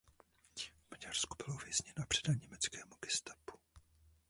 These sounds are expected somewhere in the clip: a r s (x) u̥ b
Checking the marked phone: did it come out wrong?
yes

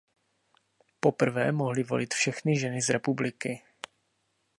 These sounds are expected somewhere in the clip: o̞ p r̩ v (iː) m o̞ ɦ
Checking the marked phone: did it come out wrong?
yes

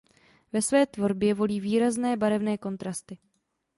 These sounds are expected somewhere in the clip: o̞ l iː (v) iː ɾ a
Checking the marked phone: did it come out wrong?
no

